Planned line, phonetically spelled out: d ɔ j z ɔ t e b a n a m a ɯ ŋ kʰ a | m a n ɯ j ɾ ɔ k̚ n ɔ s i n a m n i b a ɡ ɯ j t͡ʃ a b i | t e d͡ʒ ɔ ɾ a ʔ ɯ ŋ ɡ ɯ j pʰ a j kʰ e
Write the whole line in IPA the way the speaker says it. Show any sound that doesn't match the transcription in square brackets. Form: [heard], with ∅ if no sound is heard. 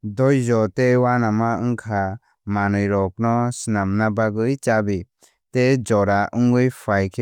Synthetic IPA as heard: d ɔ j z ɔ t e [w] a n a m a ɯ ŋ kʰ a | m a n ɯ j ɾ ɔ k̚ n ɔ s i n a m n [a] b a ɡ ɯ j t͡ʃ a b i | t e d͡ʒ ɔ ɾ a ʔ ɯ ŋ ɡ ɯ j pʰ a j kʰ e